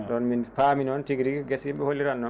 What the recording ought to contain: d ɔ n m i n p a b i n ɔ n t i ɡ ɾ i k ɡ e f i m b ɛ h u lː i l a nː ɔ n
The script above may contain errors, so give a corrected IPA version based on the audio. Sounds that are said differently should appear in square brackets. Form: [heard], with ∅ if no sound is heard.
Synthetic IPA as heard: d ɔ n m i n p a [m] i n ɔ n t i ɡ ɾ i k ɡ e [s] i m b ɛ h [o] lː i [ɾ] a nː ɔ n